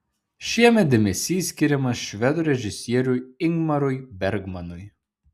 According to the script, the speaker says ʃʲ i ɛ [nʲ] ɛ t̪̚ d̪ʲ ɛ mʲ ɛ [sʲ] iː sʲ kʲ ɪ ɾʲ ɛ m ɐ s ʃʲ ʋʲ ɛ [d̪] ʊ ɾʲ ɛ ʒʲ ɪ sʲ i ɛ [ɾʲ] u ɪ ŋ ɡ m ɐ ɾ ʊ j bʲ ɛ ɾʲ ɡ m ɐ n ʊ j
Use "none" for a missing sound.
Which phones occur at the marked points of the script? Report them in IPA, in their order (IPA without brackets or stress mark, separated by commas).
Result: mʲ, sʲ, d̪, ɾʲ